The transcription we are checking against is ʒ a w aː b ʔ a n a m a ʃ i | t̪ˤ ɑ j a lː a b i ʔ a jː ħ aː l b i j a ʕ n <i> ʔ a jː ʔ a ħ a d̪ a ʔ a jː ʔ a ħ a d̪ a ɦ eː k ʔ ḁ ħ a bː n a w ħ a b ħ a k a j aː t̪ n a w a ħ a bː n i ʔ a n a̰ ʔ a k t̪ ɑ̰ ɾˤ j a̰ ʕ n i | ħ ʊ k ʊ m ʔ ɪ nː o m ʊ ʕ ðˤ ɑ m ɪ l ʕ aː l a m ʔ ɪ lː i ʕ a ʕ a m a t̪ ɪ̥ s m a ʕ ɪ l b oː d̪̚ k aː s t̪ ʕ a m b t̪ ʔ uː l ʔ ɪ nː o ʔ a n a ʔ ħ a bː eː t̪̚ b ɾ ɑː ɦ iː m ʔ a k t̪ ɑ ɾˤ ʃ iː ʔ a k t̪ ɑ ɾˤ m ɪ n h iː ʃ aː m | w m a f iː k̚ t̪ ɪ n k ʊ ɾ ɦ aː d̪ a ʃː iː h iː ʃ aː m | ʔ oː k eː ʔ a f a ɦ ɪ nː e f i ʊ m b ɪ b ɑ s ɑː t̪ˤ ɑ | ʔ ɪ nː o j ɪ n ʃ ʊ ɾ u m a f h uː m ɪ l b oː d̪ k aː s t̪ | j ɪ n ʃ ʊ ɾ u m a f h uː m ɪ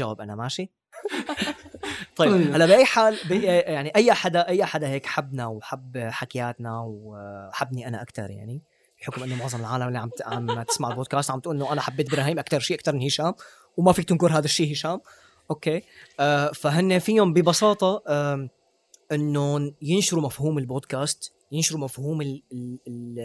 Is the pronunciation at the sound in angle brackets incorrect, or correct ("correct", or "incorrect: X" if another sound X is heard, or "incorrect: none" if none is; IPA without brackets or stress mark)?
correct